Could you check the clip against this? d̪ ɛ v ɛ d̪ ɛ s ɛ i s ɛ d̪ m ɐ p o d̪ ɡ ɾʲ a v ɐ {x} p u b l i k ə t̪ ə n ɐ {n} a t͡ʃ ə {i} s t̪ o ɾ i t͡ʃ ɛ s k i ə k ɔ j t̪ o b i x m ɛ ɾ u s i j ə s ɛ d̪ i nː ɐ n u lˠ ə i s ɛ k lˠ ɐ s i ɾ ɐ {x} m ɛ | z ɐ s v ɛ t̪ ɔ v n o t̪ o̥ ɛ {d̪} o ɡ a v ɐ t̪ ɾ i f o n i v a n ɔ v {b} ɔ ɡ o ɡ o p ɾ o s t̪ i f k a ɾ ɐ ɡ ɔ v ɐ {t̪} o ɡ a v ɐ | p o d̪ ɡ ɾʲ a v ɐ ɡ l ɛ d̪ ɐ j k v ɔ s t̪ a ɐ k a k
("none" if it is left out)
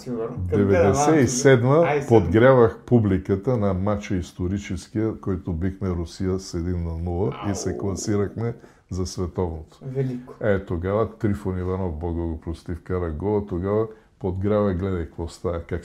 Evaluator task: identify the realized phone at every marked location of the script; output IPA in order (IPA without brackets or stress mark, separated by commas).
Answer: x, m, i, x, t̪, b, t̪